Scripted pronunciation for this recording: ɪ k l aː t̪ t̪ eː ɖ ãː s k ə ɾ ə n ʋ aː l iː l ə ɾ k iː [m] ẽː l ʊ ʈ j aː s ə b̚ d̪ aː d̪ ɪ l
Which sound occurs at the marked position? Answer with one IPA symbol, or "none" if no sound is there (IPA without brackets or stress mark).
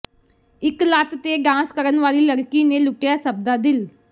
n